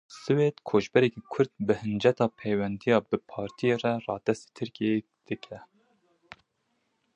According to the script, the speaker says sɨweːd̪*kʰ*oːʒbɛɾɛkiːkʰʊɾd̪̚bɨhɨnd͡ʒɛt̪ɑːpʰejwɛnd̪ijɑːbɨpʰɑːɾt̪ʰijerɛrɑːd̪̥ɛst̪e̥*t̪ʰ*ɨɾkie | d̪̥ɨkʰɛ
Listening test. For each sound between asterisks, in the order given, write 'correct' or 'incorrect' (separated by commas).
correct, correct